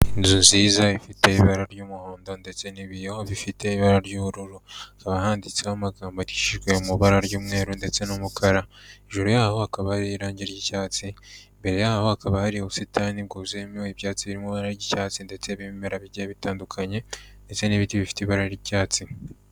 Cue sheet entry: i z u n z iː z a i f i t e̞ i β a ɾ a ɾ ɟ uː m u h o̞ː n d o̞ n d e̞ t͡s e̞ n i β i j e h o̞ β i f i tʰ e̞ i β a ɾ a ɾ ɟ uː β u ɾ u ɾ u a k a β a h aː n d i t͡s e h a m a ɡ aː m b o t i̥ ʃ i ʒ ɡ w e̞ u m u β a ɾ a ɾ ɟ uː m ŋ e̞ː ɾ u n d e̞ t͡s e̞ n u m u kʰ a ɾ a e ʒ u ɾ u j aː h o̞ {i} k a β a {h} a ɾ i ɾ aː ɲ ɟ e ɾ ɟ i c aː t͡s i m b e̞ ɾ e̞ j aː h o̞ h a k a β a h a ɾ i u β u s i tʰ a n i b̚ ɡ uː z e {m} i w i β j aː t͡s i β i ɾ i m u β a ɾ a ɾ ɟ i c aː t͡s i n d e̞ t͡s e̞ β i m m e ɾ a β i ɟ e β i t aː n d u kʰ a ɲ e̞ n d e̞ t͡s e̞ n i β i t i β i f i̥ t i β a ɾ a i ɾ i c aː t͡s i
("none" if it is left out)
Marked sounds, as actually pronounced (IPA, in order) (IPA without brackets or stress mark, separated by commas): a, h, m